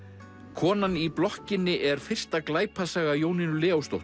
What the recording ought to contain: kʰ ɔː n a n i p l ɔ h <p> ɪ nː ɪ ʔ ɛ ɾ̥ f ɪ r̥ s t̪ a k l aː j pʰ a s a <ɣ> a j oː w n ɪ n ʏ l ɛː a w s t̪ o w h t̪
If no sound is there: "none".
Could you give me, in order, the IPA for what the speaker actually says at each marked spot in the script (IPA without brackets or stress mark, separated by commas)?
c, ɣ